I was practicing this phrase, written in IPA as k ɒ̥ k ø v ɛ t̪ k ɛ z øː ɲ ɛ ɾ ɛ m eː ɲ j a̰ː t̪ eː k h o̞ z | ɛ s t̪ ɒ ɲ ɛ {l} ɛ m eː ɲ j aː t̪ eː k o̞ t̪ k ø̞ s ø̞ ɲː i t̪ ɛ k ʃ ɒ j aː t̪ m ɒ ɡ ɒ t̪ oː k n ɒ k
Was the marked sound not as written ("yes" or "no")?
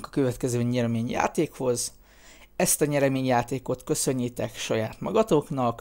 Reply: yes